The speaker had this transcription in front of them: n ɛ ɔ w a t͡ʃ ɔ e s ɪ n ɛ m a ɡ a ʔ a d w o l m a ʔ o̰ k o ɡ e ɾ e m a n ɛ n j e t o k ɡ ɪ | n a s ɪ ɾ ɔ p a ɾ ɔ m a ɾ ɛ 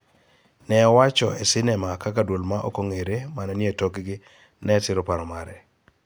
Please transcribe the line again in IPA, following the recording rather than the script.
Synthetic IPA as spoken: n ɛ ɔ w a t͡ʃ ɔ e s ɪ n ɛ m a k a k a d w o l m a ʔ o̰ k o ŋ e ɾ e m a n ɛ n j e t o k ɡ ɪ | n ɛ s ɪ ɾ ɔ p a ɾ ɔ m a ɾ ɛ